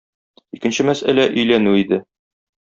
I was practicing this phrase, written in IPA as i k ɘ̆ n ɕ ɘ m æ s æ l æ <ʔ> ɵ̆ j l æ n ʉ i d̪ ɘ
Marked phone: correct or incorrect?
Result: correct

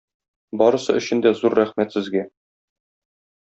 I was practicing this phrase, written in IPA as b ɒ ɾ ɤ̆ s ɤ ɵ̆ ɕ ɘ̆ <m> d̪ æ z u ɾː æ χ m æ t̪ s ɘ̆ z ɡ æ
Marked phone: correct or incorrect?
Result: incorrect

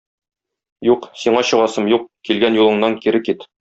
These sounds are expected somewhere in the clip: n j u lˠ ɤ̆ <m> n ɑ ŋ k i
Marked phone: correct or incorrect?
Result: incorrect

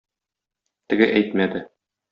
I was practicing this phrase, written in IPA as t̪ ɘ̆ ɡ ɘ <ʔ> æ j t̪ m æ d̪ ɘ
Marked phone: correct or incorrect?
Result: correct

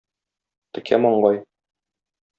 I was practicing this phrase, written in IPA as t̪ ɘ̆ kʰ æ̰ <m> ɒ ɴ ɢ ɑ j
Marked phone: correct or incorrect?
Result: correct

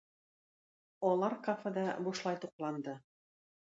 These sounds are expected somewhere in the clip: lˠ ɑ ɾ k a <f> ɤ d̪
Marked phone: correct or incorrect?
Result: correct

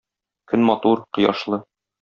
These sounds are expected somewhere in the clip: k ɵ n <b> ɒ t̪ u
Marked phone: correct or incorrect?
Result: incorrect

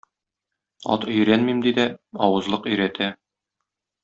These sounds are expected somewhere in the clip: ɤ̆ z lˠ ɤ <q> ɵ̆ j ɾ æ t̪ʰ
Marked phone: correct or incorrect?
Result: correct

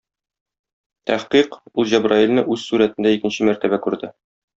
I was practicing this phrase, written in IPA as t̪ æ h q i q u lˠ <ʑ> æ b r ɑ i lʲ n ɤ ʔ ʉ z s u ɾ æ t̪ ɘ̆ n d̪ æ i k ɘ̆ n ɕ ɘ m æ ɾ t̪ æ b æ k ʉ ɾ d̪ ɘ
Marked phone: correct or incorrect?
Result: correct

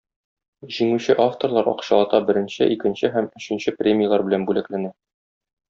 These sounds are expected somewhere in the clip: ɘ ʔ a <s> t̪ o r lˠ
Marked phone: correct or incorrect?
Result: incorrect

